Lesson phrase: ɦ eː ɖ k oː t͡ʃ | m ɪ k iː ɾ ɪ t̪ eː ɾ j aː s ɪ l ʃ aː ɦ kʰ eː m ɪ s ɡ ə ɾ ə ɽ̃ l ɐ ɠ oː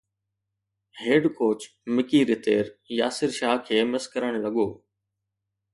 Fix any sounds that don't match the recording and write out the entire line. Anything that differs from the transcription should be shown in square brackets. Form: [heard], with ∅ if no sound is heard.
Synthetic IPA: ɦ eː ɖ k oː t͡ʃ | m ɪ k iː ɾ ɪ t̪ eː ɾ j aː s ɪ [ɾ] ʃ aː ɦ kʰ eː m ɪ s [k] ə ɾ ə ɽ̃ l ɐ ɠ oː